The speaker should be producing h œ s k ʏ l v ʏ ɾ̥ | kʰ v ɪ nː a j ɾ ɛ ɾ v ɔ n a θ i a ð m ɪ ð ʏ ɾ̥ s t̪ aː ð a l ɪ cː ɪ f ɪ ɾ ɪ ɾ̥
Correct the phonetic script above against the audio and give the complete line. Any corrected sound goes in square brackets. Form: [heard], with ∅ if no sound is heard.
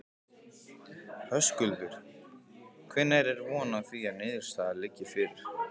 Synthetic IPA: h œ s k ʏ l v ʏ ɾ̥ | kʰ v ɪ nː a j ɾ ɛ ɾ v [ɔː] n a θ i a ð [n] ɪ ð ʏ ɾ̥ s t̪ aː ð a l ɪ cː ɪ f ɪ ɾ ɪ ɾ̥